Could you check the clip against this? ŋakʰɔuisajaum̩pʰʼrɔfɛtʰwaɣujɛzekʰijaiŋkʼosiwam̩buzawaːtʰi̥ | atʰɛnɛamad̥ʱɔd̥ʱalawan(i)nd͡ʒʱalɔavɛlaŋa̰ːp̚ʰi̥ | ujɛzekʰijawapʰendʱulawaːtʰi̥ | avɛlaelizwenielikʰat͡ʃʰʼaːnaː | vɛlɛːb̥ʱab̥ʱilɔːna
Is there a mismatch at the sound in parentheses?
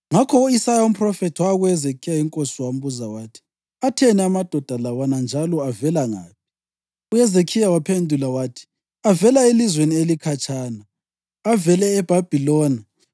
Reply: yes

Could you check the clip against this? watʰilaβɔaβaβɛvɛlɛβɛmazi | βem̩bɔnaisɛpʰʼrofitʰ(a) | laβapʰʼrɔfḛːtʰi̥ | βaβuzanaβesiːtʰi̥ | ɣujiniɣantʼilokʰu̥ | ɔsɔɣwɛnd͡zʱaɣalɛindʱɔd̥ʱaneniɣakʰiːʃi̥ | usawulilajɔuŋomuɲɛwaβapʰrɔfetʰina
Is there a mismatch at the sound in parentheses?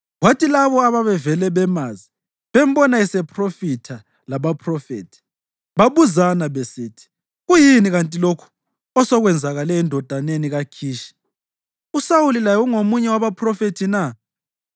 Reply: no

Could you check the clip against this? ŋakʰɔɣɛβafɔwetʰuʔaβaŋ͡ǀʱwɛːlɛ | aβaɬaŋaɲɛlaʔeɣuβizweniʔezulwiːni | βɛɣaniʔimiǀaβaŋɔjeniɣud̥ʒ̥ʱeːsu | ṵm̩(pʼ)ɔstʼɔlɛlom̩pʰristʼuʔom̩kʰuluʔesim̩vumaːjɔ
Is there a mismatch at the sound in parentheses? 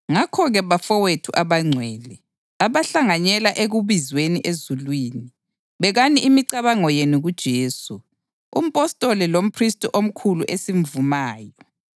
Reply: no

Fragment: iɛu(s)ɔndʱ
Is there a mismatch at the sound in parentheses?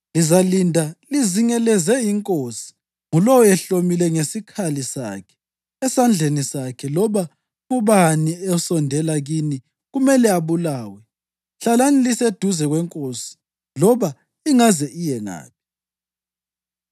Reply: no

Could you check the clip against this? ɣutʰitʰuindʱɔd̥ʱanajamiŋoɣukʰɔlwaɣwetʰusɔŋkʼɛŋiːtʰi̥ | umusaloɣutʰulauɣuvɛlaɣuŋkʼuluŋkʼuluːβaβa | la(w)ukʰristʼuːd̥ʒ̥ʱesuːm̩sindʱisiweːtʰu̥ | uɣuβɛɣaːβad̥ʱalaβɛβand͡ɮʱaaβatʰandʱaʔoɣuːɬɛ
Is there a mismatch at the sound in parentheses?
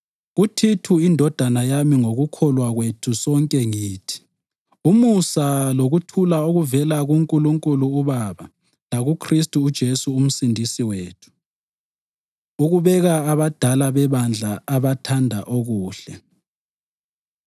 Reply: yes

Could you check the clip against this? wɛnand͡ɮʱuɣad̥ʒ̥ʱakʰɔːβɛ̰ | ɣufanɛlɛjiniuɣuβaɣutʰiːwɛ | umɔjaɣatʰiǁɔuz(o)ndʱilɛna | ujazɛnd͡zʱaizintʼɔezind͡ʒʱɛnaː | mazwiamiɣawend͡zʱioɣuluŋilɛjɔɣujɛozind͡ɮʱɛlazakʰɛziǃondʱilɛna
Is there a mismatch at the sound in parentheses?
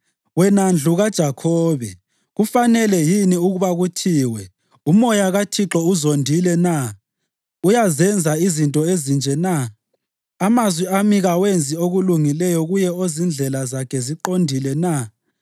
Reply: no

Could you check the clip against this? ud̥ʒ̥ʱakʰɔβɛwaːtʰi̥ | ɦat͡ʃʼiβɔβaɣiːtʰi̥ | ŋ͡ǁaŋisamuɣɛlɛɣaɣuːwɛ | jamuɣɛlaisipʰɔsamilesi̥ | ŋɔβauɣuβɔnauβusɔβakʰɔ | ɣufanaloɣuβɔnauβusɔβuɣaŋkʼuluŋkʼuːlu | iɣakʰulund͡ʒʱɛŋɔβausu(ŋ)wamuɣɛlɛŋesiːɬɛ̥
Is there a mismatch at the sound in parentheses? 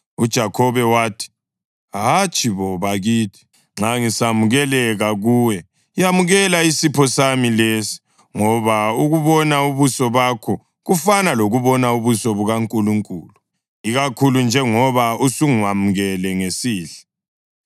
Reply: no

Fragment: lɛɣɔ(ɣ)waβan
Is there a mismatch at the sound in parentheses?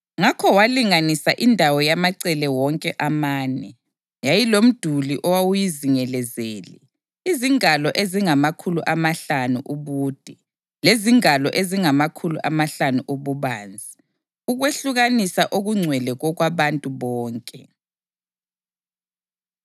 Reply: no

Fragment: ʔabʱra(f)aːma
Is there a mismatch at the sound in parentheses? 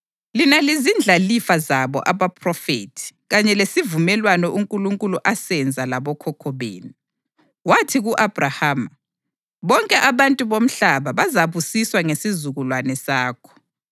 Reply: yes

